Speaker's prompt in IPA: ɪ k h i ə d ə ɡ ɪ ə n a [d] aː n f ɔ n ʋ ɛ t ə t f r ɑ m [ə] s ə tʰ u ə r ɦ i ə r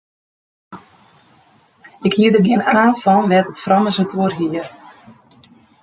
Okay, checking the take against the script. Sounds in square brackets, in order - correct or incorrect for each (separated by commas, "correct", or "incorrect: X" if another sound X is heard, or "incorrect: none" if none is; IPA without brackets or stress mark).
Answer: incorrect: none, correct